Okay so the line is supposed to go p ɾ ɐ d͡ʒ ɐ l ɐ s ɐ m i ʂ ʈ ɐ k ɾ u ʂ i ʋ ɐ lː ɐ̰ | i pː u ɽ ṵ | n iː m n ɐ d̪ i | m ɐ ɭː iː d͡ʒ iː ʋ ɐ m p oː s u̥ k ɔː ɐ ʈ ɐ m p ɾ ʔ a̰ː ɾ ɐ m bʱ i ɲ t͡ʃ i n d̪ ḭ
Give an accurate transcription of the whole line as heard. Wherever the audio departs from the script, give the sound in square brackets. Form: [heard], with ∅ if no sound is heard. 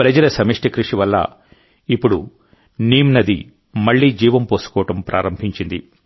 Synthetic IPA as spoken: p ɾ ɐ d͡ʒ ɐ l ɐ s ɐ m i ʂ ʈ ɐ k ɾ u ʂ i ʋ ɐ lː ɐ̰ | i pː u ɽ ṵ | n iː m n ɐ d̪ i | m ɐ ɭː iː d͡ʒ iː ʋ ɐ m p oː s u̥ k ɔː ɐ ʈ ɐ m p ɾ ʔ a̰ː ɾ ɐ m bʱ i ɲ t͡ʃ i n d̪ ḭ